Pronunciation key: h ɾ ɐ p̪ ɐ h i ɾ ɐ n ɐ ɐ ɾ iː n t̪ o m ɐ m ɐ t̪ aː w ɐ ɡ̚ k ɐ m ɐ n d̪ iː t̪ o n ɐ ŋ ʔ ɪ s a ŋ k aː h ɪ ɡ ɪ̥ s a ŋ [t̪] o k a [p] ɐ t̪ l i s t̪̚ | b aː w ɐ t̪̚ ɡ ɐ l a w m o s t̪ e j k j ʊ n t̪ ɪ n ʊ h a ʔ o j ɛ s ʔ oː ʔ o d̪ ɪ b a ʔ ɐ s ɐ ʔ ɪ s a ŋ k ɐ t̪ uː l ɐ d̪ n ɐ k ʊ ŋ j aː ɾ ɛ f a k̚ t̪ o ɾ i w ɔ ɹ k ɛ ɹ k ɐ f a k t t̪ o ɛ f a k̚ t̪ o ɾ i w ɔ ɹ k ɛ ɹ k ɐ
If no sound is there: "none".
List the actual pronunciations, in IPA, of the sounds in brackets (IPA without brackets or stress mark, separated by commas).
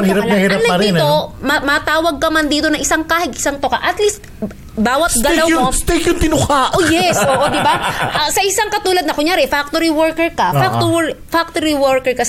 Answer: t̪, ʔ